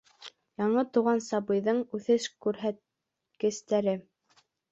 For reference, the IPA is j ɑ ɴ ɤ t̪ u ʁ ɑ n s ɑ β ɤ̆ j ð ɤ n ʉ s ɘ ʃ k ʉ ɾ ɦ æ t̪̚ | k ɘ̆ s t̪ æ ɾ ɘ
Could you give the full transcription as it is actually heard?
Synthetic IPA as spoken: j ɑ ɴ ɤ t̪ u ʁ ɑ n s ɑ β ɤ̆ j ð ɤ ɴ ʉ θ ɘ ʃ k ʉ ɾ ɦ æ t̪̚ | k ɘ̆ s t̪ æ ɾ ɘ